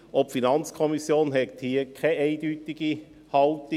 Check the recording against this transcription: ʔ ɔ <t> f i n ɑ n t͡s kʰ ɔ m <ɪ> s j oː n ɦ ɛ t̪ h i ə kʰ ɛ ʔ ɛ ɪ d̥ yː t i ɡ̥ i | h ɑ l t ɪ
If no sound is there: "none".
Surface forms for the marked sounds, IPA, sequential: p, i

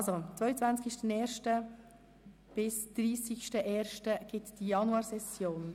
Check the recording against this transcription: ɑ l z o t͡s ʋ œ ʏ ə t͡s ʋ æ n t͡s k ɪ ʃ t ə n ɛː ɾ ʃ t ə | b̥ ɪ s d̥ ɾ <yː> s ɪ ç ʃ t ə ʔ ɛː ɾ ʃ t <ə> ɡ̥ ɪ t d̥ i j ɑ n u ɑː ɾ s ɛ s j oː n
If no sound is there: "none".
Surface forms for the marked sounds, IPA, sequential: iː, ə

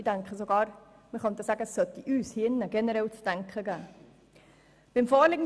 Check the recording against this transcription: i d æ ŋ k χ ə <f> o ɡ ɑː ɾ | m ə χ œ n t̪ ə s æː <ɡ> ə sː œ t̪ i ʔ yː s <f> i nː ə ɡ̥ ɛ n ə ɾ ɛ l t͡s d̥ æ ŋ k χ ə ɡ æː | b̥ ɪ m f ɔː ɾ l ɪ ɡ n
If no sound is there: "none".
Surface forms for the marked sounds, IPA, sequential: s, ɡ, h

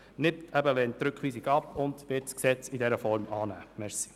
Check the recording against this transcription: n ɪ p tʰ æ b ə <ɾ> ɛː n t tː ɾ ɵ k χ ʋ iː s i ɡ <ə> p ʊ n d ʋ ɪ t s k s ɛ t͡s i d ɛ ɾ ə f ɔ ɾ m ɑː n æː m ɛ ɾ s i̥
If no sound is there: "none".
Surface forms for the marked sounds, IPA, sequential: l, ɑ

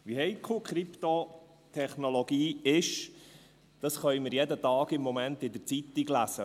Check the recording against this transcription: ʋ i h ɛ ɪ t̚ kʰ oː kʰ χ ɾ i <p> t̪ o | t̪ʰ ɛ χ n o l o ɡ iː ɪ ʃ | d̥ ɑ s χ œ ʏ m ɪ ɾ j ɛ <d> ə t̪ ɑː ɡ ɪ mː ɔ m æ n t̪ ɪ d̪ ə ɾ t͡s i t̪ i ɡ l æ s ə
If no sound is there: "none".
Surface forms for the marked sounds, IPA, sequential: p, d

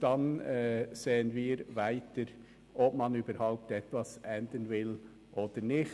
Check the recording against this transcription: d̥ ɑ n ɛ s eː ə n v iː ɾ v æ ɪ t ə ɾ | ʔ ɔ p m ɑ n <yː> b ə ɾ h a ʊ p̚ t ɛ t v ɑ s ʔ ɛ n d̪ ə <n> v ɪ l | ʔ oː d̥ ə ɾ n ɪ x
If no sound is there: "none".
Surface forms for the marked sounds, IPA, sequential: yː, n

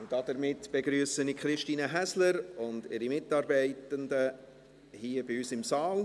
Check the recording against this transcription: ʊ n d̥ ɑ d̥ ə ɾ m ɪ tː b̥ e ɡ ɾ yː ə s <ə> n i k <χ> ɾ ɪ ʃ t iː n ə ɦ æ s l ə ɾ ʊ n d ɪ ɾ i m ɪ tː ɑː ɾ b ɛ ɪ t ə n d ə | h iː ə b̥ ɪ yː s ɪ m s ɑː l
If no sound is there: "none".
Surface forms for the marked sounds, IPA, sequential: ə, χ

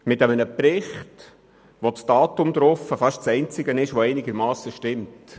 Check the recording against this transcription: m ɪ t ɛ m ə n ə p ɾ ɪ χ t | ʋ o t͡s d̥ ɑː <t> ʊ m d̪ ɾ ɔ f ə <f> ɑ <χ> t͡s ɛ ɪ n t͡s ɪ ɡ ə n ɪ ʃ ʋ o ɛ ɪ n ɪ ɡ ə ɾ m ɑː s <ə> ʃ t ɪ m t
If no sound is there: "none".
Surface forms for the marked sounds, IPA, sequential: t, f, ʃ, ə

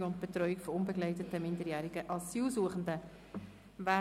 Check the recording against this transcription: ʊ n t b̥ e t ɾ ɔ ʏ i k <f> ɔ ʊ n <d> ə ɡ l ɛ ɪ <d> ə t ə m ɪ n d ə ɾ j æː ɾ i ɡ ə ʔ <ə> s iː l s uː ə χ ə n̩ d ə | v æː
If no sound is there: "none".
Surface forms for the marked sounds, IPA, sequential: f, b, t, ɑ

